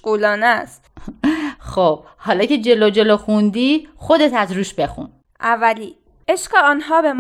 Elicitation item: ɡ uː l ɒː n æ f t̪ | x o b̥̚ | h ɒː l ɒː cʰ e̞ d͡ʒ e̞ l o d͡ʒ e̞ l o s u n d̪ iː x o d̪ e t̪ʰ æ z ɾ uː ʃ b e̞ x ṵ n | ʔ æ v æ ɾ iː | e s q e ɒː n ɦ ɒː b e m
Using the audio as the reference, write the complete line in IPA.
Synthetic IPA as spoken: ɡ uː l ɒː n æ s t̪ | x o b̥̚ | h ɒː l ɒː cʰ e̞ d͡ʒ e̞ l o d͡ʒ e̞ l o x u n d̪ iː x o d̪ e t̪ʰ æ z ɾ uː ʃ b e̞ x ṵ n | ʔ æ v æ l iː | e ʃ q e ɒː n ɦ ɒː b e m